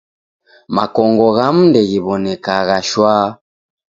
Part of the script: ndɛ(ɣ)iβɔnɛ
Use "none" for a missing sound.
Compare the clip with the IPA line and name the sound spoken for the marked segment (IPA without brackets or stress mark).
ɣ